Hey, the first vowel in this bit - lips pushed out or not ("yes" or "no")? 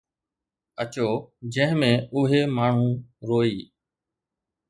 no